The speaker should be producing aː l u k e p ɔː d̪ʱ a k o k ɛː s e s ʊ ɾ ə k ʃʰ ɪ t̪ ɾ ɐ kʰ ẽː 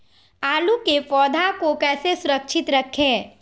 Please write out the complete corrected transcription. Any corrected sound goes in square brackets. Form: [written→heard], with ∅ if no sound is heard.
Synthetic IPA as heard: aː l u k e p ɔː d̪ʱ a k o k ɛː s e s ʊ ɾ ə k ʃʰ ɪ t̪ ɾ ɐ kʰ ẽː